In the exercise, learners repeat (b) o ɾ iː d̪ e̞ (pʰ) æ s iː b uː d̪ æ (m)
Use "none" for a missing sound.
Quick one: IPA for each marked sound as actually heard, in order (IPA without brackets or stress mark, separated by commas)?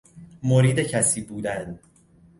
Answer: m, cʰ, n